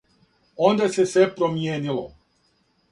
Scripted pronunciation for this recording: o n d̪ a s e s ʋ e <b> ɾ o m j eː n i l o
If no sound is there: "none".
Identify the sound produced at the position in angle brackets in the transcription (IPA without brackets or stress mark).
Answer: p